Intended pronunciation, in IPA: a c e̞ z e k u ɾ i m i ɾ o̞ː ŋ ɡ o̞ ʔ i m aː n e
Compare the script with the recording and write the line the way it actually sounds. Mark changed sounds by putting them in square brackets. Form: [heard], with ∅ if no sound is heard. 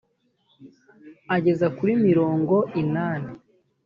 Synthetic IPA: a [ɟ] e̞ z [a] k u ɾ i m i ɾ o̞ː ŋ ɡ o̞ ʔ i [n] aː n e